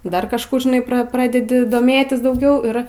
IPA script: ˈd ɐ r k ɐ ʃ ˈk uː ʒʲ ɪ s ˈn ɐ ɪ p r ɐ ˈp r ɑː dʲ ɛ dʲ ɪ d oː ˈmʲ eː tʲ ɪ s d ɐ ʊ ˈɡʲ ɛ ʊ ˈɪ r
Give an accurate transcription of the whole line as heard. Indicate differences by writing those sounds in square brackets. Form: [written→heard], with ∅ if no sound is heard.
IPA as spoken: ˈd ɐ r k ɐ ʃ ˈk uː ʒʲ ɪ [s→∅] ˈn ɐ ɪ p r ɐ ˈp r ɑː dʲ ɛ dʲ ɪ d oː ˈmʲ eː tʲ ɪ s d ɐ ʊ ˈɡʲ ɛ ʊ ˈɪ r